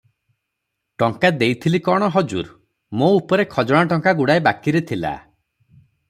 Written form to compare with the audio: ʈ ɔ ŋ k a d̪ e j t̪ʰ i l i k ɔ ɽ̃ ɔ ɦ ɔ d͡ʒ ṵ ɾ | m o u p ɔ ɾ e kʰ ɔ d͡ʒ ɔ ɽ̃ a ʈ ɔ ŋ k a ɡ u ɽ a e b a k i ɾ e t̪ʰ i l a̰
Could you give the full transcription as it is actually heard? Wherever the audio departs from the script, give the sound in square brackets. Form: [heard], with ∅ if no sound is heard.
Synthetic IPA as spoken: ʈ ɔ ŋ k a d̪ e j t̪ʰ i l i k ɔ ɽ̃ ɔ ɦ ɔ d͡ʒ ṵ ɾ | m o u p ɔ ɾ e kʰ ɔ d͡ʒ ɔ ɽ̃ a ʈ ɔ ŋ k a ɡ u ɽ a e b a k i ɾ e t̪ʰ i l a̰